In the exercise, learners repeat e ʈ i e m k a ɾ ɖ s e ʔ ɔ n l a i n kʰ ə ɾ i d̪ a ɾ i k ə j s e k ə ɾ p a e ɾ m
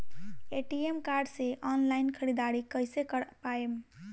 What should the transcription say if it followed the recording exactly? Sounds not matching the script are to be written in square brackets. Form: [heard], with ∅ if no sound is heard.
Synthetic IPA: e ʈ i e m k a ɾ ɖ s e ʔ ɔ n l a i n kʰ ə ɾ i d̪ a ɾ i k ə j s e k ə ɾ p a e [∅] m